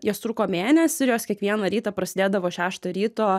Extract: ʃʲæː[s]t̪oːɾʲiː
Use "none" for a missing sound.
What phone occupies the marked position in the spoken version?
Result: ʃ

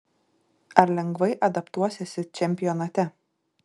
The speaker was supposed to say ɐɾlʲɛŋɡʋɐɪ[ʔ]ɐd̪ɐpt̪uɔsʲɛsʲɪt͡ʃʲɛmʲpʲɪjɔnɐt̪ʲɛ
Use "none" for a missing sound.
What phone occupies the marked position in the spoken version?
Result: ʔ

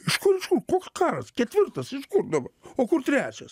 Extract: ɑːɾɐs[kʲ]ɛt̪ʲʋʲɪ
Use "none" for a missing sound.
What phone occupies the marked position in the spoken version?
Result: kʲ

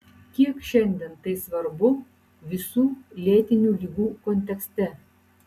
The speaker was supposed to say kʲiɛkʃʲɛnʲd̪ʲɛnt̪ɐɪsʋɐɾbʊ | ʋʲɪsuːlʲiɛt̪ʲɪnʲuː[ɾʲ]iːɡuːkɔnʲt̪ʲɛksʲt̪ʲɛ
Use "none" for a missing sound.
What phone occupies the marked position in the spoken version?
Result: lʲ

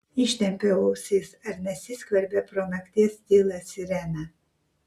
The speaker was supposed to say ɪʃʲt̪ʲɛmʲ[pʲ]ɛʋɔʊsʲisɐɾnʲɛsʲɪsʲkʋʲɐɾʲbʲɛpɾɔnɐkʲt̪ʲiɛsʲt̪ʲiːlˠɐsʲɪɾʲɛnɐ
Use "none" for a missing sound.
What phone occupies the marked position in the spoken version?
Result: pʲ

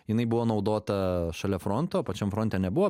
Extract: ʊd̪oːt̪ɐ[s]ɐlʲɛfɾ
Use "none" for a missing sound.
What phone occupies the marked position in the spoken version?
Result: ʃ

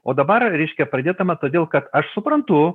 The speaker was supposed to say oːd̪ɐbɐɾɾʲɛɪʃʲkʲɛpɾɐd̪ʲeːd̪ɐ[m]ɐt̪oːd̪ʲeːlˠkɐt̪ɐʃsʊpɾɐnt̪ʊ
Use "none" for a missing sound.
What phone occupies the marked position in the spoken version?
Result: m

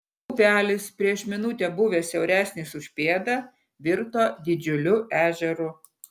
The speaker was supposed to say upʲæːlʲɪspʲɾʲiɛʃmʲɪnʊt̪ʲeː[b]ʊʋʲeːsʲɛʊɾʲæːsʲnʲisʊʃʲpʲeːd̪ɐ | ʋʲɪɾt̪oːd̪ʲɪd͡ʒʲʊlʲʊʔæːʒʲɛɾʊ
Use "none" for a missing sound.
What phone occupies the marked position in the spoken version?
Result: b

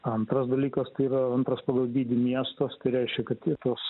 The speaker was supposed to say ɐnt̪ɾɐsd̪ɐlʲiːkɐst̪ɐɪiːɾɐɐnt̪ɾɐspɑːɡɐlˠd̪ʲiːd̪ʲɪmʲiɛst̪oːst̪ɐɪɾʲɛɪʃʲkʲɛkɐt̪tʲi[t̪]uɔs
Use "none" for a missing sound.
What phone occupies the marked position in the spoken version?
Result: t̪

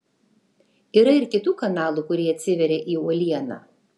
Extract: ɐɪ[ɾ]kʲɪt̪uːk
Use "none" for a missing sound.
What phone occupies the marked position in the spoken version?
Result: ɾ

